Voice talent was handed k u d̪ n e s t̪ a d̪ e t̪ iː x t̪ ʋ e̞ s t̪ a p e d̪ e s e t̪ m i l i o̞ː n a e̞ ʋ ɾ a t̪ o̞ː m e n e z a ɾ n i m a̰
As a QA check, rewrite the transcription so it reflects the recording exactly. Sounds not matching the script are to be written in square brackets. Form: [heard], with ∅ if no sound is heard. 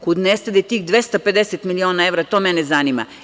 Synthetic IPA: k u d̪ n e s t̪ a d̪ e t̪ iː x [d̪] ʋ e̞ s t̪ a p e d̪ e s e t̪ m i l i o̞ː n a e̞ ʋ ɾ a t̪ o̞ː m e n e z a [∅] n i m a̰